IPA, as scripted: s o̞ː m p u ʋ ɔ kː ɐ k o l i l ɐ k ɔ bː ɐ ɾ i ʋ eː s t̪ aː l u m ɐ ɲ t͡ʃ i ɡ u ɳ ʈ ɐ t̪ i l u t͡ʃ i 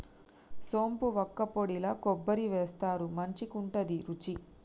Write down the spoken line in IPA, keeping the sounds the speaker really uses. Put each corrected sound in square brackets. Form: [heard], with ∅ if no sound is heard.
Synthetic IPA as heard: s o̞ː m p u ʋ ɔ kː ɐ [p] o [ɽ] i l ɐ k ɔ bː ɐ ɾ i ʋ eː s t̪ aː [ɾ] u m ɐ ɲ t͡ʃ i [k] u ɳ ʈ ɐ [d̪] i [ɾ] u t͡ʃ i